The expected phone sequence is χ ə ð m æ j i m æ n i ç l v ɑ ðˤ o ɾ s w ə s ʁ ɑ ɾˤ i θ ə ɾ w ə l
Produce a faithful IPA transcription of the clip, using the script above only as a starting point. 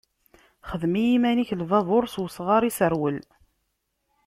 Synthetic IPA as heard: χ ə ð m i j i m æ n i ç l v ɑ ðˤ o ɾ s w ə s ʁ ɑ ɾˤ i s ə ɾ w ə l